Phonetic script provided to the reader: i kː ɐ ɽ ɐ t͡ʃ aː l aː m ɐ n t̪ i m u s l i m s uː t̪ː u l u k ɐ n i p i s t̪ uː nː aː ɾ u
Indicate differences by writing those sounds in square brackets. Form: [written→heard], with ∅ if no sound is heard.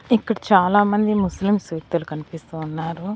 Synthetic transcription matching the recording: i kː ɐ ɽ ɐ t͡ʃ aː l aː m ɐ n [t̪→d̪] i m u s l i m s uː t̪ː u l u k ɐ n i p i s t̪ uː nː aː ɾ u